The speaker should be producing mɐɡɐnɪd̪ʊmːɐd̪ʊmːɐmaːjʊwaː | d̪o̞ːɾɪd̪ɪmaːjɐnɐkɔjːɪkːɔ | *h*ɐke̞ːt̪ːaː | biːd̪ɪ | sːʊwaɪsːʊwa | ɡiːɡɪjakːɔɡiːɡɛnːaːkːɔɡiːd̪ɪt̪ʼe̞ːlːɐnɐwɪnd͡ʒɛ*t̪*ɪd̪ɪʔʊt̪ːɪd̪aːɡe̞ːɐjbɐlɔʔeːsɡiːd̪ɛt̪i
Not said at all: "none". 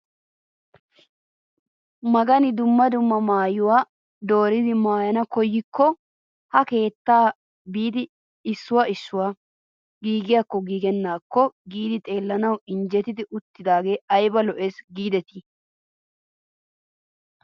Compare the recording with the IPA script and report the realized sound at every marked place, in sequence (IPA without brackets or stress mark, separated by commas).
h, t̪